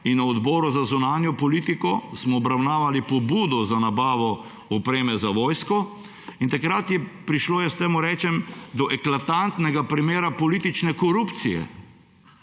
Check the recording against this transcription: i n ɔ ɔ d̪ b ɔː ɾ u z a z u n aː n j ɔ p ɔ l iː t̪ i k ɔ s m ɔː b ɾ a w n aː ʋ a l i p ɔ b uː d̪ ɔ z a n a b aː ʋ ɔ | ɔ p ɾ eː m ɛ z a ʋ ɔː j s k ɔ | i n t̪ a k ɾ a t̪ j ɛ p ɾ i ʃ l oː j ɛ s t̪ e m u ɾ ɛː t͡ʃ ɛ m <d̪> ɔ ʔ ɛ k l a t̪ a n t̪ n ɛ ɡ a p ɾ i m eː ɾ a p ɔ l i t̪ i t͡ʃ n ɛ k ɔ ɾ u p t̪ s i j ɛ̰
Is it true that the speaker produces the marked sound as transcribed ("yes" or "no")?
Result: yes